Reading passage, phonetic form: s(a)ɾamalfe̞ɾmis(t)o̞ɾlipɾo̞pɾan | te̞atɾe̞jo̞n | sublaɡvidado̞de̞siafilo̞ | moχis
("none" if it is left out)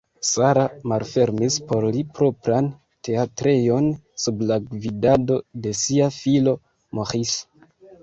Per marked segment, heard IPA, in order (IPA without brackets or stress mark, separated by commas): a, p